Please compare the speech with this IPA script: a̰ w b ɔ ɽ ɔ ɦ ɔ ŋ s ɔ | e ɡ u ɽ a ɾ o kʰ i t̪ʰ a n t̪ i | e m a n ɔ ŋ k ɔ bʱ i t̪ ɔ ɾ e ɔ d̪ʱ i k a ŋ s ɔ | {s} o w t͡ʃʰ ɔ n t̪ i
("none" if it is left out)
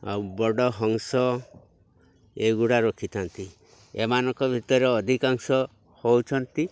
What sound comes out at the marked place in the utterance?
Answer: h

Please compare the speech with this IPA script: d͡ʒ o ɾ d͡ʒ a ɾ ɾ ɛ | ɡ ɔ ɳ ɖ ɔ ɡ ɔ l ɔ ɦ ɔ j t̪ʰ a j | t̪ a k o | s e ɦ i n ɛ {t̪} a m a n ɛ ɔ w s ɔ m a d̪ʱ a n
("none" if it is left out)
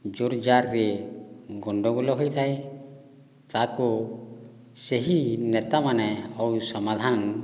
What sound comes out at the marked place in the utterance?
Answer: t̪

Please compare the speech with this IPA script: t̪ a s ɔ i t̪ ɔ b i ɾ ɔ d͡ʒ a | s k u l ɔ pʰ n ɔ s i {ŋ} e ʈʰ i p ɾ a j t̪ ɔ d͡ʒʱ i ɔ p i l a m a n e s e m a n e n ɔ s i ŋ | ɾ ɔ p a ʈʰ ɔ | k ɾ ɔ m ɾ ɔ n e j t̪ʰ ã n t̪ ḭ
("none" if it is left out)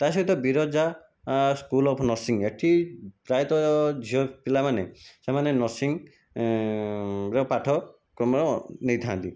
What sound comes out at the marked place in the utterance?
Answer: ŋ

